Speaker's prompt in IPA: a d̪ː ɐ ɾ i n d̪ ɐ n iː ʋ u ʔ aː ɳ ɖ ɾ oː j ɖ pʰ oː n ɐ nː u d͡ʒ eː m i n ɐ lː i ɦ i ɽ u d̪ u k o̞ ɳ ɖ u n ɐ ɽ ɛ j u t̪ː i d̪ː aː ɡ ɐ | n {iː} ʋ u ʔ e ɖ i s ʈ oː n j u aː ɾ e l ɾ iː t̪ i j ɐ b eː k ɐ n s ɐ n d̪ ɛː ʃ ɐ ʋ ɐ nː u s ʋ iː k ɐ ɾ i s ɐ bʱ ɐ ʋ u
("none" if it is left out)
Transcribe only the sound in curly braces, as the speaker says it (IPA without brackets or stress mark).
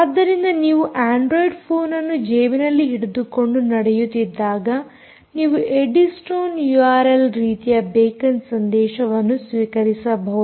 iː